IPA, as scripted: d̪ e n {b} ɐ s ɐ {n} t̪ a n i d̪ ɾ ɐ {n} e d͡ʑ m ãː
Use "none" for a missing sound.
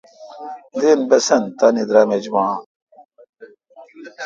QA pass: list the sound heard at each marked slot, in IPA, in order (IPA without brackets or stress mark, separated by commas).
b, n, m